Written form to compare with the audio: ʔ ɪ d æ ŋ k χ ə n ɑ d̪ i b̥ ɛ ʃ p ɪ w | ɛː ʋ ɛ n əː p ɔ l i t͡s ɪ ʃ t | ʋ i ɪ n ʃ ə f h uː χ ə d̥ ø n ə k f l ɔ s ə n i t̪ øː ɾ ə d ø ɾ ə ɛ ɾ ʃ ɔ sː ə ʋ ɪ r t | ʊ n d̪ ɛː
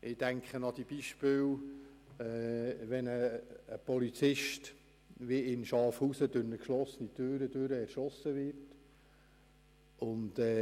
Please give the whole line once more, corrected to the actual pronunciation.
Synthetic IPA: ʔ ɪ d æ ŋ k χ ə n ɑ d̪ i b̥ i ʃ p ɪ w | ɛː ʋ ɛ n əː p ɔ l i t͡s ɪ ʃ t | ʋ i ɪ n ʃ ɑ f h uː s ə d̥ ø n ə k ʃ l ɔ s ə n i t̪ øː ɾ ə d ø ɾ ə ɛ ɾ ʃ ɔ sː ə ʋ ɪ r t | ʊ n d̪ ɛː